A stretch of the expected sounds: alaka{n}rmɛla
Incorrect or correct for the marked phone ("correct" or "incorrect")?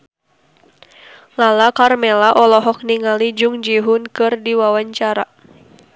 incorrect